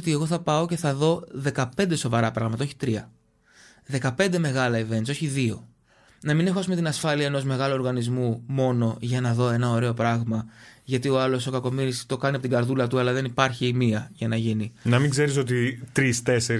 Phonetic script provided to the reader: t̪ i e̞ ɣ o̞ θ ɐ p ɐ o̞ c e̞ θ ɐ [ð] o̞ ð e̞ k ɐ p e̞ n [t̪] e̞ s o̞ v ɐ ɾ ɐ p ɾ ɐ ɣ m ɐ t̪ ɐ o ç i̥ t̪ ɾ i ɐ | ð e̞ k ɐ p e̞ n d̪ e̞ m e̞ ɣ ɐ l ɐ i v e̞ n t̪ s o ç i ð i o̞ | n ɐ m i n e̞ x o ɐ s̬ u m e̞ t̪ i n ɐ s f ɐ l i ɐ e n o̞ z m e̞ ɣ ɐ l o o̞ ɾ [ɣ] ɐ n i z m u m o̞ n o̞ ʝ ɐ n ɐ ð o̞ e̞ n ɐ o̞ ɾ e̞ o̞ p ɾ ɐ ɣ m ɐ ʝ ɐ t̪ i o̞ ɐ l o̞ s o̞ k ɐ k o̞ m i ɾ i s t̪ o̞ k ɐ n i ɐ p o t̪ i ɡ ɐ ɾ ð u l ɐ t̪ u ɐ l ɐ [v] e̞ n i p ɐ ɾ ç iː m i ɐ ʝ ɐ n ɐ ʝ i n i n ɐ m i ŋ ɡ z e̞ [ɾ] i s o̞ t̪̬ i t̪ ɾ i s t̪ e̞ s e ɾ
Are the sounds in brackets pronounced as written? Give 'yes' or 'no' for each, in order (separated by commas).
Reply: yes, no, yes, no, yes